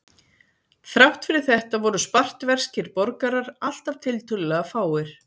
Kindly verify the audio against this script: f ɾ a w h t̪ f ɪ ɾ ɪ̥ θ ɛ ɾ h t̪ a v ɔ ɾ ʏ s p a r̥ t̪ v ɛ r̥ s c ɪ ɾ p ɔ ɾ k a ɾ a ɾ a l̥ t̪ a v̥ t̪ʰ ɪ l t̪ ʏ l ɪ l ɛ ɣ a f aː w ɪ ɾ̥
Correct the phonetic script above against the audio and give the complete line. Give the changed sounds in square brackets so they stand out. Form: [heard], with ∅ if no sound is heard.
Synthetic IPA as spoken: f ɾ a w h t̪ f ɪ ɾ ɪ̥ θ ɛ [∅] h t̪ a v ɔ ɾ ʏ s p a r̥ t̪ v ɛ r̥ s c ɪ ɾ p ɔ ɾ k a ɾ a ɾ a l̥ t̪ a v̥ t̪ʰ ɪ l t̪ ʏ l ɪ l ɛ ɣ a f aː w ɪ ɾ̥